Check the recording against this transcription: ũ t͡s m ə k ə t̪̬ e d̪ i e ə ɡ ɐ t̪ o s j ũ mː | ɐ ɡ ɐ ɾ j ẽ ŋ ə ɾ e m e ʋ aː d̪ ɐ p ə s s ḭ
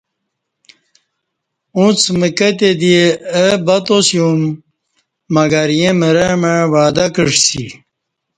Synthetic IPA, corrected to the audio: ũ t͡s m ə k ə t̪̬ e d̪ i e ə b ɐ t̪ o s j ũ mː | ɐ ɡ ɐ ɾ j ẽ m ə ɾ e m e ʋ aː d̪ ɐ k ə ʂ s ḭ